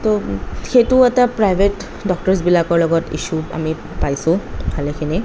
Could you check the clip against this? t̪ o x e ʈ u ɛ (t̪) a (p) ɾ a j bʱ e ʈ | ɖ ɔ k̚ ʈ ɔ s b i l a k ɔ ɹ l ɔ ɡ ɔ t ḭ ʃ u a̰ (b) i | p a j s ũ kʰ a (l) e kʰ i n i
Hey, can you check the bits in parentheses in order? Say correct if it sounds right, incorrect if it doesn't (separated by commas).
correct, correct, incorrect, correct